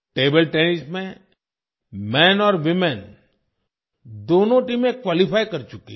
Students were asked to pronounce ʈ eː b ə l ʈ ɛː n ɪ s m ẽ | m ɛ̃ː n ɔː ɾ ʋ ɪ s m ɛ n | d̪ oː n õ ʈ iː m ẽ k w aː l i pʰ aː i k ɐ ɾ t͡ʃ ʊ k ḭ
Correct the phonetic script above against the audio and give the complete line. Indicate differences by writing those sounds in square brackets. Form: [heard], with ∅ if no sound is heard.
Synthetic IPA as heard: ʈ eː b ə l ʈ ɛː n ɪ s m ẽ | m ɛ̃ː n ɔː ɾ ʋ ɪ [∅] m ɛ n | d̪ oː n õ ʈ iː m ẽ k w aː l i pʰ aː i k ɐ ɾ t͡ʃ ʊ k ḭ